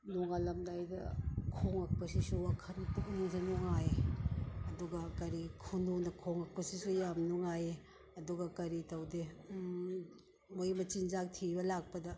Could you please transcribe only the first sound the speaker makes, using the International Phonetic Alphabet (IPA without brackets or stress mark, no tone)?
n